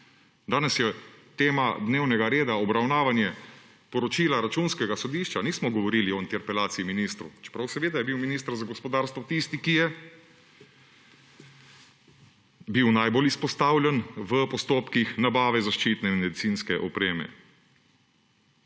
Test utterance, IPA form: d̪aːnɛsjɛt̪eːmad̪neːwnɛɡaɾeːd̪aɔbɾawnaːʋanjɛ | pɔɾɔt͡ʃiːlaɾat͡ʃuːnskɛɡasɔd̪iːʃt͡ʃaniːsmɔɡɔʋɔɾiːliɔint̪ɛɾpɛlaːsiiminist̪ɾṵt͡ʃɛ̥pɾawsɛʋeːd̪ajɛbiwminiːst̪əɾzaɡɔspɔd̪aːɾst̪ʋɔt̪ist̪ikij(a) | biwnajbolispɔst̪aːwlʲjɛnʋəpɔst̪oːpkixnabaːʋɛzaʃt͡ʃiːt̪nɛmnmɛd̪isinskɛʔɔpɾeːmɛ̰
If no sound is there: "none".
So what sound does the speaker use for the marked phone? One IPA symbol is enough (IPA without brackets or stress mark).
ɛ